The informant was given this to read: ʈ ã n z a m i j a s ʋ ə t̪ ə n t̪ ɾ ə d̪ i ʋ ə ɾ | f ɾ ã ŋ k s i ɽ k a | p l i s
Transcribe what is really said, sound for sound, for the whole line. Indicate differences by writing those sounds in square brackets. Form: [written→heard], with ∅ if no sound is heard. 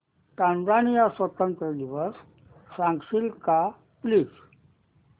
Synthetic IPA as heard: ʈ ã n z a [m→n] i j a s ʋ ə t̪ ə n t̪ ɾ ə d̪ i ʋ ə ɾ | f ɾ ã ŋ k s i [ɽ→l] k a | p l i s